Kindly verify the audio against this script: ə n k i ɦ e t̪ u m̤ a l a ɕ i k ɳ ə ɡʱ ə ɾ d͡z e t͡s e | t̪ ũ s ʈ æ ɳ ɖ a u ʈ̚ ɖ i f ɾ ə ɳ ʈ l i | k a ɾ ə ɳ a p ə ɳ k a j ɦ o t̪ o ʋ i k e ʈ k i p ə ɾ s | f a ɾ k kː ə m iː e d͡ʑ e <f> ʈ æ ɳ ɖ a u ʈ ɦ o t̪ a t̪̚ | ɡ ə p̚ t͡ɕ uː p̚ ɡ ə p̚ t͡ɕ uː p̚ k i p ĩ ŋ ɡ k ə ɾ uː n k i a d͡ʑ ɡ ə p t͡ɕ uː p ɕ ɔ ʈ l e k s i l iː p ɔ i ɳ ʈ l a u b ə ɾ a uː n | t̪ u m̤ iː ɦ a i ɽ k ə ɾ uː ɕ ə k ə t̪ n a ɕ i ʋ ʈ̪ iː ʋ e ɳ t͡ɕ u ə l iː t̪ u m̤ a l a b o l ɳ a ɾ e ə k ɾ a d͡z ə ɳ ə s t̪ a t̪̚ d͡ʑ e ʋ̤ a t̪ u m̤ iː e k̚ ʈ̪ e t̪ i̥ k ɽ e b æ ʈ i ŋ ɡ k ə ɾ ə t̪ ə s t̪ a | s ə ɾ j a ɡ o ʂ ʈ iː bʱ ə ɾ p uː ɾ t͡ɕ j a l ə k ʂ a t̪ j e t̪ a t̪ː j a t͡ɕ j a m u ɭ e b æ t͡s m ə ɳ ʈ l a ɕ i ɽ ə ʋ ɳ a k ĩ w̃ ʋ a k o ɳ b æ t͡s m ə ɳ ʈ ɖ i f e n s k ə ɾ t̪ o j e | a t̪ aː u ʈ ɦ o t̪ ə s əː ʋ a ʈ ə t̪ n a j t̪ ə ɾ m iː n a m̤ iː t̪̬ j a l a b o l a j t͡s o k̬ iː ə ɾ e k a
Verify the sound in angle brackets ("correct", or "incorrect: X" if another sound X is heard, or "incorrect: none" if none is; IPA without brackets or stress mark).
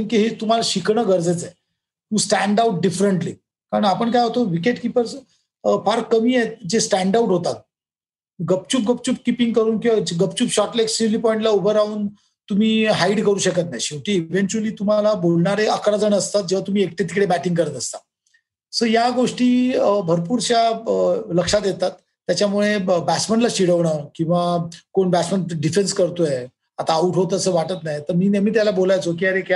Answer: incorrect: s